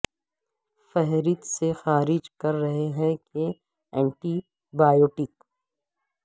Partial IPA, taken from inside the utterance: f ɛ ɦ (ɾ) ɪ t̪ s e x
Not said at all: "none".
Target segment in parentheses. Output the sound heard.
ɾ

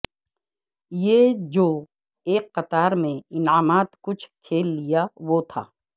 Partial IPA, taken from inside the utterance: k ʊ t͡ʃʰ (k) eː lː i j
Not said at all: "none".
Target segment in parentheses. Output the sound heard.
kʰ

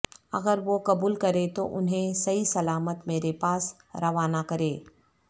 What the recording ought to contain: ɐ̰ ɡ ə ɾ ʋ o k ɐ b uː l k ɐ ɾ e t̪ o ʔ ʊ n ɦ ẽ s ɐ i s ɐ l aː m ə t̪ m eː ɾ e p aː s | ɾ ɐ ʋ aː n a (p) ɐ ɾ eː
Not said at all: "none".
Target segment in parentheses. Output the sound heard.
k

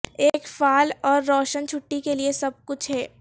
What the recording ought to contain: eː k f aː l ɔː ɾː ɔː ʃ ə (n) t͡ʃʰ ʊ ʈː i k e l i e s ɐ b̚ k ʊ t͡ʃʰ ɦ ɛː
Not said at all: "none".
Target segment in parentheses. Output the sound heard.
n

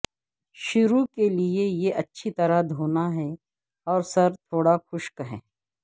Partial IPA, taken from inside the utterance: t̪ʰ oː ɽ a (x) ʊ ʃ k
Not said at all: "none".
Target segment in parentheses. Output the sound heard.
x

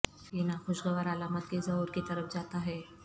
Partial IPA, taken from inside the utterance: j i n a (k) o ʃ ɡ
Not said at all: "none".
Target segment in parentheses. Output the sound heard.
x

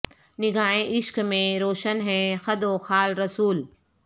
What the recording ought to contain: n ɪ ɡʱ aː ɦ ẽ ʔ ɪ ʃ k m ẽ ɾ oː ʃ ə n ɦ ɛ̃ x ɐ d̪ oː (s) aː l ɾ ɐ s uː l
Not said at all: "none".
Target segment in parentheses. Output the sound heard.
x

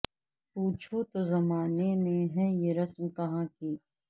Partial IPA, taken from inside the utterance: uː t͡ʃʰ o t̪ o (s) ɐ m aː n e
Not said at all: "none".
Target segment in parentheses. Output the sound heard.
z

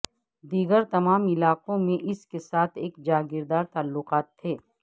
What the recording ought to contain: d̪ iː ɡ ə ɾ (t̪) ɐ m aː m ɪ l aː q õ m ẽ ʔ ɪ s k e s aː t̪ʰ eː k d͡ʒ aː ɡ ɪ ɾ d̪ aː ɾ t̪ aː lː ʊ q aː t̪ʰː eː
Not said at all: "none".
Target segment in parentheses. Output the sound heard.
t̪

